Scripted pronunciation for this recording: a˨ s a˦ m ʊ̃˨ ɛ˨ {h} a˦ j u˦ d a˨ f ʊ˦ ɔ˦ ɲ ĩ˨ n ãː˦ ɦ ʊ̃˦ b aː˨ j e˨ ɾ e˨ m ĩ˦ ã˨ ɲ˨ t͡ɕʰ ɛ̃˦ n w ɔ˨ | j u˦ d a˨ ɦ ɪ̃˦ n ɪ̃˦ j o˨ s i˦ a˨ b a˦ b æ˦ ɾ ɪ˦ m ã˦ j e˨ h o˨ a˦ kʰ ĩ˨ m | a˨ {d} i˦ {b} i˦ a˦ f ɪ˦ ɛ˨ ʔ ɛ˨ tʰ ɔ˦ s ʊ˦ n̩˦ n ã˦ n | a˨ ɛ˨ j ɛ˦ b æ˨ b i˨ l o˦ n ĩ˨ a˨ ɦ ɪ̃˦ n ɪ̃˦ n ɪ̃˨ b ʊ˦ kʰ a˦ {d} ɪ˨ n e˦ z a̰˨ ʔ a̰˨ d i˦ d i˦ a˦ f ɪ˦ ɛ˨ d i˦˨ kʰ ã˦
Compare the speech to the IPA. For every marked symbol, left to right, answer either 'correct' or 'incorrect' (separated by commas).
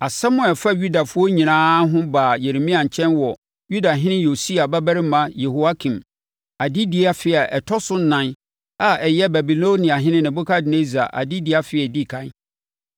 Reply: incorrect, correct, incorrect, correct